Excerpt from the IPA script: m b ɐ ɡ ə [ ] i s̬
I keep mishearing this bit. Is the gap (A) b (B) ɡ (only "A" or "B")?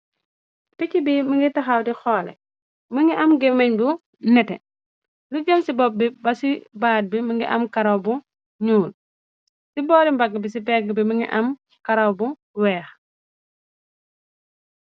A